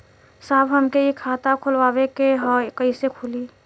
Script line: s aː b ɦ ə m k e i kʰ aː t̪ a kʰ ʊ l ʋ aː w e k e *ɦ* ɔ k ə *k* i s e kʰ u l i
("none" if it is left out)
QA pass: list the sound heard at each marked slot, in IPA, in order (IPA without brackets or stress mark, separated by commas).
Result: ɦ, none